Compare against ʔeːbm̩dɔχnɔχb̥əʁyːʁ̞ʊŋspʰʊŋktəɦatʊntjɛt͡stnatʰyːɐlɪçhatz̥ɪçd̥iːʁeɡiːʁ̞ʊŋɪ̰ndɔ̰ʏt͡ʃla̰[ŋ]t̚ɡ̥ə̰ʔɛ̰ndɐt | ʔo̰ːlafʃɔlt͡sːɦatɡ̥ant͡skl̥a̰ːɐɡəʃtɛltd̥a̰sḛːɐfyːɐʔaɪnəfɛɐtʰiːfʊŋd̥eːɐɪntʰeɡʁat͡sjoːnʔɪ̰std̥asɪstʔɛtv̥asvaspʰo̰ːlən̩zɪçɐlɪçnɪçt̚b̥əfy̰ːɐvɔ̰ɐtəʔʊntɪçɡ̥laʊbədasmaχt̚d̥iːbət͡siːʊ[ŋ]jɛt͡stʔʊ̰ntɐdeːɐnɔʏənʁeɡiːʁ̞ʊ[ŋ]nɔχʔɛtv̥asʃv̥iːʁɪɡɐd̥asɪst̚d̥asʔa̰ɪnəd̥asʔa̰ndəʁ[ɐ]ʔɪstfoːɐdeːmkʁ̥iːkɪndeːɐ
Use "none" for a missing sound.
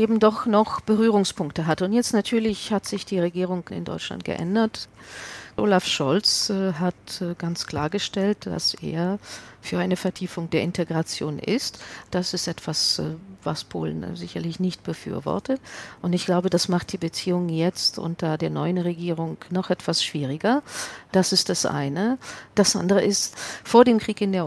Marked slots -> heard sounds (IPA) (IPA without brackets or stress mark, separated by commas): n, ŋ, ŋ, ə